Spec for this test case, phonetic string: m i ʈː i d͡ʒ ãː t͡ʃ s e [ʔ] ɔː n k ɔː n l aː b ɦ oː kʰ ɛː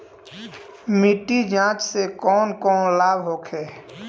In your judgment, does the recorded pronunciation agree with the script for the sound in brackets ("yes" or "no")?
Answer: no